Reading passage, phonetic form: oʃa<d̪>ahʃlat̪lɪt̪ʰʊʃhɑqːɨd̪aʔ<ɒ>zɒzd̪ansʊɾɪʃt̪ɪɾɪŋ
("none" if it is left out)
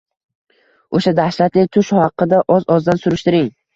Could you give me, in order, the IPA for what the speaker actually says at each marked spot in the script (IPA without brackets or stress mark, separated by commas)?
d̪, ɒ